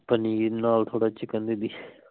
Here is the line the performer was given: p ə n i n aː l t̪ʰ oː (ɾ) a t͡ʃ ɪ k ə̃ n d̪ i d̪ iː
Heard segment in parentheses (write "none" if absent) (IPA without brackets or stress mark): ɽ